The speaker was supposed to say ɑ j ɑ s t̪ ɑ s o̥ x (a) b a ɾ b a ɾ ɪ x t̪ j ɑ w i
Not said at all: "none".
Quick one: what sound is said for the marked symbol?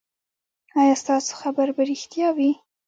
a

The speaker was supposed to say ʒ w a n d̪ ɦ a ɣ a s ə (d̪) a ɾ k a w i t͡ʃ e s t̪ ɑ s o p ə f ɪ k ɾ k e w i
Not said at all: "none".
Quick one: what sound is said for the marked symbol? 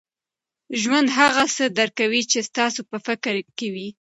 d̪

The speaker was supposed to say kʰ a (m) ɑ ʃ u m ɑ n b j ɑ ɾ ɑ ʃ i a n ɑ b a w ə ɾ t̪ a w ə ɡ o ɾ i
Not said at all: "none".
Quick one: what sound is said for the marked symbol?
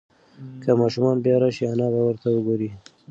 m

